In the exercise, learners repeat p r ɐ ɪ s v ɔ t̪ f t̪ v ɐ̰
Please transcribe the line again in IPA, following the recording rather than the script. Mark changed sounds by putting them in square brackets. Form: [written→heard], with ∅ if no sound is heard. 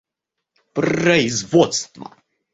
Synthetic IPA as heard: p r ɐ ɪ [s→z] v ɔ t̪ [f→s] t̪ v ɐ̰